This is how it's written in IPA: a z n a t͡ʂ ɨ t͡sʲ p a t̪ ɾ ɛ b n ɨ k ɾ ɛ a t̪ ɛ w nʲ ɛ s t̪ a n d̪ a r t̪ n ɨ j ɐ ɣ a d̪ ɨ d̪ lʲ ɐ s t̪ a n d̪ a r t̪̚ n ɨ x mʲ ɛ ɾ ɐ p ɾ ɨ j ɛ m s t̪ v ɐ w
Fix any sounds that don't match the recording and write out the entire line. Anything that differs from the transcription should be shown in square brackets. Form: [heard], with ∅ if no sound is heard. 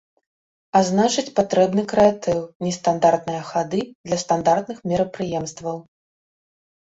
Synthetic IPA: a z n a t͡ʂ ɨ t͡sʲ p a t̪ ɾ ɛ b n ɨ k ɾ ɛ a t̪ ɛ w nʲ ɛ s t̪ a n d̪ a r t̪ n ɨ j ɐ [x] a d̪ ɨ d̪ lʲ ɐ s t̪ a n d̪ a r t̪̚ n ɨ x mʲ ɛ ɾ ɐ p ɾ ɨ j ɛ m s t̪ v ɐ w

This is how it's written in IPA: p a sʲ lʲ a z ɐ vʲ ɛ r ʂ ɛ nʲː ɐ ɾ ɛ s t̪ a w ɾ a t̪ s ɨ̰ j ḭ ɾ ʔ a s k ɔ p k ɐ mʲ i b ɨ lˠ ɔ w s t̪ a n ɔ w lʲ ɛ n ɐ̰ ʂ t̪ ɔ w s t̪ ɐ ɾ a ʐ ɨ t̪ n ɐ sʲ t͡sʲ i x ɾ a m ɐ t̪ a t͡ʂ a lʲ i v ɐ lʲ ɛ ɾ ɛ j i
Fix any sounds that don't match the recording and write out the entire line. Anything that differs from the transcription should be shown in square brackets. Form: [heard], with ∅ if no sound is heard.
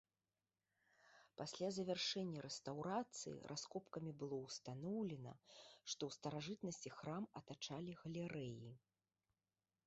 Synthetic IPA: p a sʲ lʲ a z ɐ vʲ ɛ r ʂ ɛ nʲː ɐ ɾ ɛ s t̪ a w ɾ a t̪ s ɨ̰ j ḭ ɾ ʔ a s k ɔ p k ɐ mʲ i b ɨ lˠ ɔ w s t̪ a n ɔ w lʲ ɛ n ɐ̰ ʂ t̪ ɔ w s t̪ ɐ ɾ a ʐ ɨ t̪ n ɐ sʲ t͡sʲ i x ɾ a m ɐ t̪ a t͡ʂ a lʲ i [ɣ] ɐ lʲ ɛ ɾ ɛ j i

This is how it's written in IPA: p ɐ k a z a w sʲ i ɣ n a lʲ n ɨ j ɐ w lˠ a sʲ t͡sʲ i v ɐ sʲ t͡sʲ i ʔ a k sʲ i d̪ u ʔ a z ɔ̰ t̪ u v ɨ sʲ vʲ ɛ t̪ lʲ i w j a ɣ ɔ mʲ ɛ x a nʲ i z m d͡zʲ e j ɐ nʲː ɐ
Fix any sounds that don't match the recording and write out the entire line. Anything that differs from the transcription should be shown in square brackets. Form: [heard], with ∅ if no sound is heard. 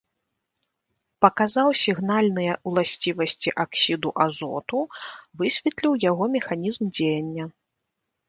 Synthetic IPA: p ɐ k a z a w sʲ i ɣ n a lʲ n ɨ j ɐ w lˠ a sʲ t͡sʲ i v ɐ sʲ t͡sʲ i ʔ a k sʲ i d̪ u ʔ a z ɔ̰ t̪ u v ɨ sʲ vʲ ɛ t̪ lʲ i w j a ɣ ɔ mʲ ɛ x a nʲ i z m d͡zʲ e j ɐ nʲː ɐ

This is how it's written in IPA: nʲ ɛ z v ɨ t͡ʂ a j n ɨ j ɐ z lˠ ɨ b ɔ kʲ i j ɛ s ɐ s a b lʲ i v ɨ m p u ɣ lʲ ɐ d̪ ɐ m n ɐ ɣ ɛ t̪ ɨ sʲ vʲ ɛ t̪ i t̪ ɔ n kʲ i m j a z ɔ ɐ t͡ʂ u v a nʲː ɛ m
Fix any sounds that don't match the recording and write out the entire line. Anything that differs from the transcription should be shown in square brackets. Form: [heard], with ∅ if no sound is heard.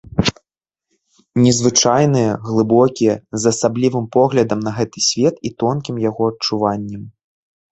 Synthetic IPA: nʲ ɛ z v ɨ t͡ʂ a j n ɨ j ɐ [ɣ] lˠ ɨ b ɔ kʲ i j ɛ [z] ɐ s a b lʲ i v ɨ m p [ɔ] ɣ lʲ ɐ d̪ ɐ m n ɐ ɣ ɛ t̪ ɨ sʲ vʲ ɛ t̪ i t̪ ɔ n kʲ i m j a [ɣ] ɔ ɐ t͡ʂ u v a nʲː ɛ m

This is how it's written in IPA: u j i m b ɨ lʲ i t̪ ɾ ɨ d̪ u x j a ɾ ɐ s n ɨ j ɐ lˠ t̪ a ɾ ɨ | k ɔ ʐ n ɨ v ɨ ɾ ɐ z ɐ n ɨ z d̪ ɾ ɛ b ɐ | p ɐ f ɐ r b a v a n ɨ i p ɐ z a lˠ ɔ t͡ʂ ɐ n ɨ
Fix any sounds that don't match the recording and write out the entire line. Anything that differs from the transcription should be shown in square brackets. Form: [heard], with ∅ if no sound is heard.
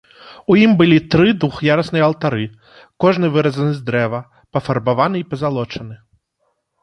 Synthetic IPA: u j i m b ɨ lʲ i t̪ ɾ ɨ d̪ u x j a ɾ ɐ s n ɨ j ɐ lˠ t̪ a ɾ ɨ | k ɔ ʐ n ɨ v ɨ ɾ ɐ z ɐ n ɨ z d̪ ɾ ɛ [v] ɐ | p ɐ f ɐ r b a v a n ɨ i p ɐ z a lˠ ɔ t͡ʂ ɐ n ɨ

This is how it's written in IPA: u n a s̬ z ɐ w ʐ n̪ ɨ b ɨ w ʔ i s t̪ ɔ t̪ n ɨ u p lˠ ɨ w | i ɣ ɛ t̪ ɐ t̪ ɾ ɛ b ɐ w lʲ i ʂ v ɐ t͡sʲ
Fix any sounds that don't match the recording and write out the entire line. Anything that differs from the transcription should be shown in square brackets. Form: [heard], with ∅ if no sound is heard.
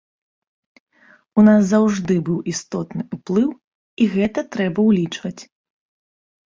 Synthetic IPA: u n a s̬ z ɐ w ʐ [d̪] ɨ b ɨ w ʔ i s t̪ ɔ t̪ n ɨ u p lˠ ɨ w | i ɣ ɛ t̪ ɐ t̪ ɾ ɛ b ɐ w lʲ i [t͡ʂ] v ɐ t͡sʲ

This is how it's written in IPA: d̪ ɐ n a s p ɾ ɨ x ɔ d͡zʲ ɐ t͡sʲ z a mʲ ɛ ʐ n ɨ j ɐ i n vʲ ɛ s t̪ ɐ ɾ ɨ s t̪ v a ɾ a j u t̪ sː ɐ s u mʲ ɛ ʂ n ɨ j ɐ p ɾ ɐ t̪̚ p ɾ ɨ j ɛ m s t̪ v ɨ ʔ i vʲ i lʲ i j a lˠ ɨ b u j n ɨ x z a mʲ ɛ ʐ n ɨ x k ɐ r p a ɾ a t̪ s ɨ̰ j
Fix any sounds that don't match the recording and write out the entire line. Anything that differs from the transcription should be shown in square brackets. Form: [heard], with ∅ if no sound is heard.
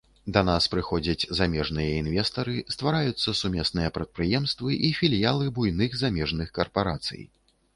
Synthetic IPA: d̪ ɐ n a s p ɾ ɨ x ɔ d͡zʲ ɐ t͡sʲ z a mʲ ɛ ʐ n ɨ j ɐ i n vʲ ɛ s t̪ ɐ ɾ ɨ s t̪ v a ɾ a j u t̪ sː ɐ s u mʲ ɛ [s] n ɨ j ɐ p ɾ ɐ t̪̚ p ɾ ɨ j ɛ m s t̪ v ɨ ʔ i [fʲ] i lʲ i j a lˠ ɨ b u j n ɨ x z a mʲ ɛ ʐ n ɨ x k ɐ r p a ɾ a t̪ s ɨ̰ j

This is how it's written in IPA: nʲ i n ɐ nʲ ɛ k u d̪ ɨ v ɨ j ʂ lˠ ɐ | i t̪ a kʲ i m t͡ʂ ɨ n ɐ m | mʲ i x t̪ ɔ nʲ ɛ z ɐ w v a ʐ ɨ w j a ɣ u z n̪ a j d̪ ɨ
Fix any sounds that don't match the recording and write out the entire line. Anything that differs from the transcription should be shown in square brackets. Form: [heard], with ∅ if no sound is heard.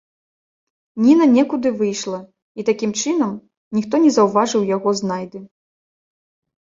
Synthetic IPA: nʲ i n ɐ nʲ ɛ k u d̪ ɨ v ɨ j ʂ lˠ ɐ | i t̪ a kʲ i m t͡ʂ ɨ n ɐ m | [nʲ] i x t̪ ɔ nʲ ɛ z ɐ w v a ʐ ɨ w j a ɣ [ɔ] z n̪ a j d̪ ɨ

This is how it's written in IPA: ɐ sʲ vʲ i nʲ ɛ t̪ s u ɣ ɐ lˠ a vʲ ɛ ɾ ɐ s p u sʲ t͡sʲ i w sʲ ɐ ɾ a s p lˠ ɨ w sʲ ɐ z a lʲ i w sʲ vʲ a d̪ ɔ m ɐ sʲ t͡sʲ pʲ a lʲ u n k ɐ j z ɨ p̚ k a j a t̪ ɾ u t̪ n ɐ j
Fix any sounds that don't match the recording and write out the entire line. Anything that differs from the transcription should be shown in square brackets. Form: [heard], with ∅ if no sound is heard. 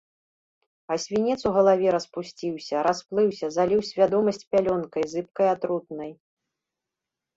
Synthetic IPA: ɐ sʲ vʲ i nʲ ɛ t̪ s u ɣ ɐ lˠ a vʲ ɛ ɾ ɐ s p u sʲ t͡sʲ i w sʲ ɐ ɾ a s p lˠ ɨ w sʲ ɐ z a lʲ i w sʲ vʲ a d̪ ɔ m ɐ sʲ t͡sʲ pʲ a lʲ [ɔ] n k ɐ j z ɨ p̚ k [ɐ] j a t̪ ɾ u t̪ n ɐ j

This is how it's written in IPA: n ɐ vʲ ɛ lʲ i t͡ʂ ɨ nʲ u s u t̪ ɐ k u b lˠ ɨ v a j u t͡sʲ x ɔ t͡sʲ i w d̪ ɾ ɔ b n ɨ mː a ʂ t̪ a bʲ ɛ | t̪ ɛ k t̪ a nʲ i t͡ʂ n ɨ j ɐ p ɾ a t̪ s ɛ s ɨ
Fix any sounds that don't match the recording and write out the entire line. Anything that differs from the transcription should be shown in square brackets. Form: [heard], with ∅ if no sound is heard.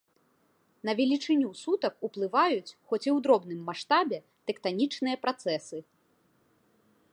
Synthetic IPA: n ɐ vʲ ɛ lʲ i t͡ʂ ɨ nʲ u s u t̪ ɐ k u [p] lˠ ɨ v a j u t͡sʲ x ɔ t͡sʲ i w d̪ ɾ ɔ b n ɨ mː a ʂ t̪ a bʲ ɛ | t̪ ɛ k t̪ a nʲ i t͡ʂ n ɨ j ɐ p ɾ a t̪ s ɛ s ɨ

